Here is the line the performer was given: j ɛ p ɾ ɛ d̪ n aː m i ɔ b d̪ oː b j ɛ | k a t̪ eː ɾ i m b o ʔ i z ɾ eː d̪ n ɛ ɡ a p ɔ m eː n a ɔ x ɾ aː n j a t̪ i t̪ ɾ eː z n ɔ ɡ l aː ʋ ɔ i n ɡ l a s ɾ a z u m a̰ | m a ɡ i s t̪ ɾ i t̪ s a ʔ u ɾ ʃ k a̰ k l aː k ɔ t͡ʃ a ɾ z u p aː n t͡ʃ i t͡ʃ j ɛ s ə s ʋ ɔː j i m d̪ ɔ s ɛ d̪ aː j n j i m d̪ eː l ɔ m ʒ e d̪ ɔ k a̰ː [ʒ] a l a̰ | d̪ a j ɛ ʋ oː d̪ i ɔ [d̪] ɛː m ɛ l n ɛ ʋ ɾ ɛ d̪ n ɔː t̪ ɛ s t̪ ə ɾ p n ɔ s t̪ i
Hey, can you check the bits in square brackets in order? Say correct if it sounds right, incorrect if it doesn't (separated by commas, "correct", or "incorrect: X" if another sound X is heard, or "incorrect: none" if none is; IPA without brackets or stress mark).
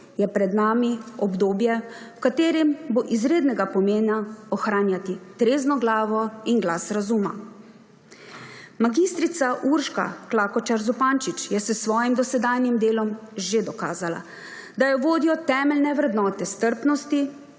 incorrect: z, incorrect: t̪